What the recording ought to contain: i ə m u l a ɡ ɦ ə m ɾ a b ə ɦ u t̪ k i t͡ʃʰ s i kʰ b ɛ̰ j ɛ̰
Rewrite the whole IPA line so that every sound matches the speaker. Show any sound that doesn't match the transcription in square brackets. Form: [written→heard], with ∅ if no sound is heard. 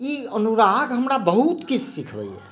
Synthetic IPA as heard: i ə [m→n] u [l→ɾ] a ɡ ɦ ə m ɾ a b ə ɦ u t̪ k i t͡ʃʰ s i kʰ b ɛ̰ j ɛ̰